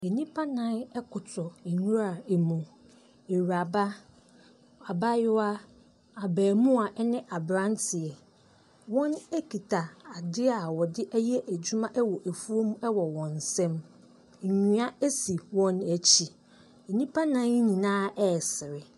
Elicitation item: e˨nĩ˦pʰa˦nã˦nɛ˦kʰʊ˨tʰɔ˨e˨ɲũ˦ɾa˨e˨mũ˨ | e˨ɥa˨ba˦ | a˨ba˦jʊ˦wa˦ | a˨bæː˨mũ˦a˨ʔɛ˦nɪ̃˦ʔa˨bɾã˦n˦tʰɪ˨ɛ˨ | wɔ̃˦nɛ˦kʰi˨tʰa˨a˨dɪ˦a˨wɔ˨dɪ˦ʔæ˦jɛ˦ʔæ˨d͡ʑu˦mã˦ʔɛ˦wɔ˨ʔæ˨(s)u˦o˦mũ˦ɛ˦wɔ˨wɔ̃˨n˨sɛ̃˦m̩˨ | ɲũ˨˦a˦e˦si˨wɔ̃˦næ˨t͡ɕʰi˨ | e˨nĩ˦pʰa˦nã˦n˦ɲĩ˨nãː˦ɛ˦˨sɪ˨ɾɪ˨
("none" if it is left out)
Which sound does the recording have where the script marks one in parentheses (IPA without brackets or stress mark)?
f